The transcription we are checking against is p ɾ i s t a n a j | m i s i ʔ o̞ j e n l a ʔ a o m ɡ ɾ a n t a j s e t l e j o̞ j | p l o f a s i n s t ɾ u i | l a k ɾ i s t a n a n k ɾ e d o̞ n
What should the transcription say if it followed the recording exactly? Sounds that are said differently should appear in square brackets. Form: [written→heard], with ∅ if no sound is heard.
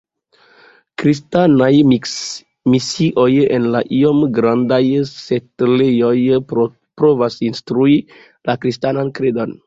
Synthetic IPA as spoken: [p→k] ɾ i s t a n a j | m i s i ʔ o̞ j e n l a ʔ [a→i] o m ɡ ɾ a n [t→d] a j s e t l e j o̞ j | p [l→ɾ] o [f→v] a s i n s t ɾ u i | l a k ɾ i s t a n a n k ɾ e d o̞ n